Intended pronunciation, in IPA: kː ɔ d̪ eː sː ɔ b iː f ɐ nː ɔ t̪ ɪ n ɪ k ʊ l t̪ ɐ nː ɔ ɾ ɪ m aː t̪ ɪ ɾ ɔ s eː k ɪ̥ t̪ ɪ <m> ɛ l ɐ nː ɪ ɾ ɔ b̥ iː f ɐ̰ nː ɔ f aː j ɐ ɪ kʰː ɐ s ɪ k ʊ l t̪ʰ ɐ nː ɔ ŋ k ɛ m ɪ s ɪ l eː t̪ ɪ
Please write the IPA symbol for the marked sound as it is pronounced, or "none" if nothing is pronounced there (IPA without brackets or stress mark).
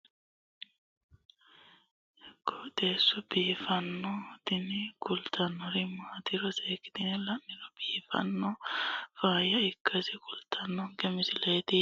n